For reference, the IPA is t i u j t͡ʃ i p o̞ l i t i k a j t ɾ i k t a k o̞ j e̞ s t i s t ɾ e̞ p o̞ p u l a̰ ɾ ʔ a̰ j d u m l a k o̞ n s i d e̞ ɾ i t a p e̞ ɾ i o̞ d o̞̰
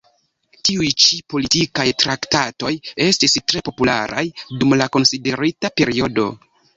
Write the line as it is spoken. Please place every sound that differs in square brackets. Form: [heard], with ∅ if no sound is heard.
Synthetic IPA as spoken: t i u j t͡ʃ i p o̞ l i t i k a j t ɾ [a] k t a [t] o̞ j e̞ s t i s t ɾ e̞ p o̞ p u l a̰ ɾ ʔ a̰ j d u m l a k o̞ n s i d e̞ ɾ i t a p e̞ ɾ i o̞ d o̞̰